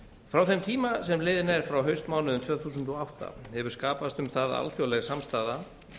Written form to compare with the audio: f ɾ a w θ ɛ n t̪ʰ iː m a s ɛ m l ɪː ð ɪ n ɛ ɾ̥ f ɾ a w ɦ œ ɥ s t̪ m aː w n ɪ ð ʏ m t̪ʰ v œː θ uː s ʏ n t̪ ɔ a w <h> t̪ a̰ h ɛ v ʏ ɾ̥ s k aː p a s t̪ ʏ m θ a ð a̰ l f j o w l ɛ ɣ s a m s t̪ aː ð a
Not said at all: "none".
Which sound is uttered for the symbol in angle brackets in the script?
h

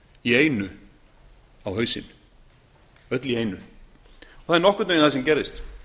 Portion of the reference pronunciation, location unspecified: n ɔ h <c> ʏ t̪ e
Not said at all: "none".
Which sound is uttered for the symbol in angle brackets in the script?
k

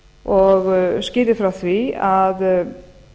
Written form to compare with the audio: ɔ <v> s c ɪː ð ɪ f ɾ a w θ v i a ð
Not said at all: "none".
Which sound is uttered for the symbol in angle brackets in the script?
ɣ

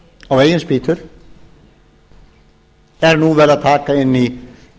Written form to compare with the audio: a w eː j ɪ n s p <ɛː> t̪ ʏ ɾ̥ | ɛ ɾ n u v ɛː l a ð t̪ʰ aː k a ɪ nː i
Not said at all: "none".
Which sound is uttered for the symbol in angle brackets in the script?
iː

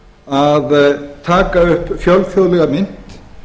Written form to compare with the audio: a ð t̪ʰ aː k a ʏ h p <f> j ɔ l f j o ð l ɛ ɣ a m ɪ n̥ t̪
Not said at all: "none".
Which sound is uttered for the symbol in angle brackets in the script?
f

